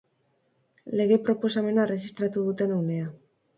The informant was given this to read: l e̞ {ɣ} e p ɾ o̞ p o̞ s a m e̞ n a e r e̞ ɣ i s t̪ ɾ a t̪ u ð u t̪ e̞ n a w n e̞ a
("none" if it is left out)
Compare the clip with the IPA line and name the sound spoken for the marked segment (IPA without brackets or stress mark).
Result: ɣ